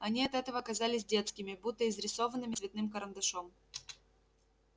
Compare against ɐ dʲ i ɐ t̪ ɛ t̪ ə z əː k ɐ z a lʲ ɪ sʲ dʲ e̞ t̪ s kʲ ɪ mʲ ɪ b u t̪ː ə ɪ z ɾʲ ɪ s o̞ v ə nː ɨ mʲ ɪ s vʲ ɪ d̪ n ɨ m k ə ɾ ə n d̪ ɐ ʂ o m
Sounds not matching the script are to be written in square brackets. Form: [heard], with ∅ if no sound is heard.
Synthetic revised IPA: ɐ [nʲ] i ɐ t̪ ɛ t̪ ə [v] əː k ɐ z a lʲ ɪ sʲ dʲ e̞ t̪ s kʲ ɪ mʲ ɪ b u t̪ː ə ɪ z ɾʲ ɪ s o̞ v ə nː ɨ mʲ ɪ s vʲ ɪ [t̪] n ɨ m k ə ɾ ə n d̪ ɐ ʂ o m